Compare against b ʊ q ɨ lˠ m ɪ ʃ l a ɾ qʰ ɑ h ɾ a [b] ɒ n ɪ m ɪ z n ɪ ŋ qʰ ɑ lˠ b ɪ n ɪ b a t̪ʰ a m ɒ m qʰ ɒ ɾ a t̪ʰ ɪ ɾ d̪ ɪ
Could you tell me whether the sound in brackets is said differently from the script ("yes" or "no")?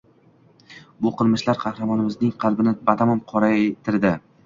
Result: yes